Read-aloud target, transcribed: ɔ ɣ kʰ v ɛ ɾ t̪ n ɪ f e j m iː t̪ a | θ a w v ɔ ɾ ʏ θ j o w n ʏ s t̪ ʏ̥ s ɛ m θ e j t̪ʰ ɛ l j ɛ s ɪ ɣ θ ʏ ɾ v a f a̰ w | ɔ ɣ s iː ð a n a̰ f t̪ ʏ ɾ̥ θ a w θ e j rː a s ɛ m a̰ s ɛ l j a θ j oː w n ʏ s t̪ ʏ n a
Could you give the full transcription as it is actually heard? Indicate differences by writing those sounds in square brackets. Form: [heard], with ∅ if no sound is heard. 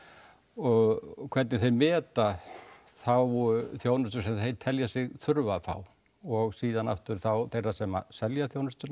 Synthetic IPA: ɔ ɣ kʰ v ɛ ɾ t̪ n ɪ [θ] e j m [ɛː] t̪ a | θ a w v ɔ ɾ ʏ θ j o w n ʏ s t̪ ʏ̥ s ɛ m θ e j t̪ʰ ɛ l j [a] s ɪ ɣ θ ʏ ɾ v a f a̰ w | ɔ ɣ s iː ð a n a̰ f t̪ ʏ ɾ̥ θ a w θ e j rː a s ɛ m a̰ s ɛ l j a θ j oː w n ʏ s t̪ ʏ n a